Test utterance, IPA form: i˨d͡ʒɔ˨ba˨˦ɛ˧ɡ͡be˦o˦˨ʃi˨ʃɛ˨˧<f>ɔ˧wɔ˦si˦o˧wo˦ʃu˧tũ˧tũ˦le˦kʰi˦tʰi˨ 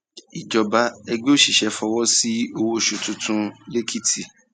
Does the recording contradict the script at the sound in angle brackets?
no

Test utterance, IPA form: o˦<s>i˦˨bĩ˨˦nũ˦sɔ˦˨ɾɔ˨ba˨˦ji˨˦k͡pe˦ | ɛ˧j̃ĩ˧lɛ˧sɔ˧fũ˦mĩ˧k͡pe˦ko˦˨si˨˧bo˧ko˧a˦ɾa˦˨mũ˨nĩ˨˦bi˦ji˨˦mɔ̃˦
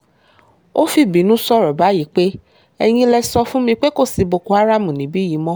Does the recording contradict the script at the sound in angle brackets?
yes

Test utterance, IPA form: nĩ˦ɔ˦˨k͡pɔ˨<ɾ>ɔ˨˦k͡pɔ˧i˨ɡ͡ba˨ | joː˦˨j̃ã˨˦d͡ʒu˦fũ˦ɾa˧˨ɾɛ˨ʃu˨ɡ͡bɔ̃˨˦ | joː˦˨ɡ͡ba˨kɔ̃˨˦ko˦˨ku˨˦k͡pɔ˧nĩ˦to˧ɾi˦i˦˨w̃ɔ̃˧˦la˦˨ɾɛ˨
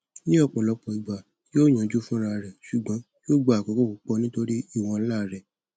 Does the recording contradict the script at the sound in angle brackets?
yes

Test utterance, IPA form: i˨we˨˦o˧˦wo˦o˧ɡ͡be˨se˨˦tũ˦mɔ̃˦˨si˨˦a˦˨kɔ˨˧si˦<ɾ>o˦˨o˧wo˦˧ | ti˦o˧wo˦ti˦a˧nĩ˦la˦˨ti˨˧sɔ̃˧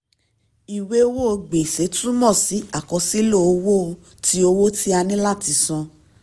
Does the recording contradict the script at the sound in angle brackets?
yes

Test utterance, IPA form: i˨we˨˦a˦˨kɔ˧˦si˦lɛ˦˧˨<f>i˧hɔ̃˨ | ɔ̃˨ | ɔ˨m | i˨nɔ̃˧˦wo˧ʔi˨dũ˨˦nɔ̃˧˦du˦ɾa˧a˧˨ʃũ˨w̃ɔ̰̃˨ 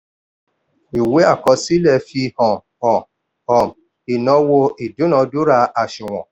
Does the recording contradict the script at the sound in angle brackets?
no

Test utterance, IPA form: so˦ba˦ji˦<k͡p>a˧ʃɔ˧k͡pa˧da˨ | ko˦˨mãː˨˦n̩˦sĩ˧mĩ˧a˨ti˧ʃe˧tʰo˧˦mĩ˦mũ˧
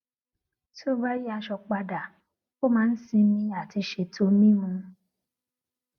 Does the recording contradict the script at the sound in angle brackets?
yes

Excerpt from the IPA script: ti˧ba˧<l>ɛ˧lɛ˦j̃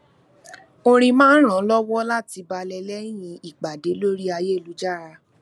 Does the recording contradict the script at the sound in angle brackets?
no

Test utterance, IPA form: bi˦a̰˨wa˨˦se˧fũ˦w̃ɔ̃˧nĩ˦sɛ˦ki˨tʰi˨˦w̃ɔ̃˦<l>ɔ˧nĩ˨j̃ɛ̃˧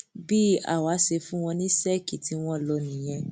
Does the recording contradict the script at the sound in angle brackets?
no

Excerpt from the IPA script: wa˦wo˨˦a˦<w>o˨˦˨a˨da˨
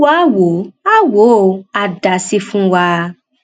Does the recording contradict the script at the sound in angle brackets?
no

